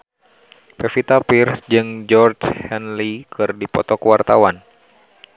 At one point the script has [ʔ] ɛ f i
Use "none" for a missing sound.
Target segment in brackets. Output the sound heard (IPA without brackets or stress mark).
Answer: p